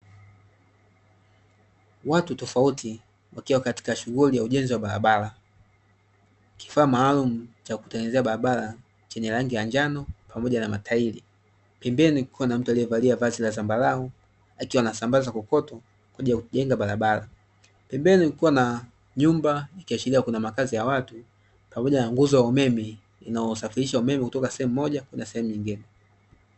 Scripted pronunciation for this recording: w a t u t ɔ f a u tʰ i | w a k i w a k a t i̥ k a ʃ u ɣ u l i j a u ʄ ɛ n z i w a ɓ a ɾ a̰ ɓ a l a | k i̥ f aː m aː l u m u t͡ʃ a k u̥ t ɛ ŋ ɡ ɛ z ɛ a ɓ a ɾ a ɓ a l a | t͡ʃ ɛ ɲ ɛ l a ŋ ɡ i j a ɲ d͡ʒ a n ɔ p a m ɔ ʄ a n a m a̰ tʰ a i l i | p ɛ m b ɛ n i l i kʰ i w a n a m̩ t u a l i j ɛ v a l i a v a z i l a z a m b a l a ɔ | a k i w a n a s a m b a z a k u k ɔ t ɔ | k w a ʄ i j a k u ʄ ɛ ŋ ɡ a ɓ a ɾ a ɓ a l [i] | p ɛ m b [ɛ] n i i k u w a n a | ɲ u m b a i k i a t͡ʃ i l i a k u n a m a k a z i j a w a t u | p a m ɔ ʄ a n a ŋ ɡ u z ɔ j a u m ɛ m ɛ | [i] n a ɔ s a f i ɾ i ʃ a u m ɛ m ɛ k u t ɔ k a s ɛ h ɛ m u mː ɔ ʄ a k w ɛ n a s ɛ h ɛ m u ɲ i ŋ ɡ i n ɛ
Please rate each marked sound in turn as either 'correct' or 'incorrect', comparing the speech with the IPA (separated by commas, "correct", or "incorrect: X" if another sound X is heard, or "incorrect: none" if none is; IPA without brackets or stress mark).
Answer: incorrect: a, correct, correct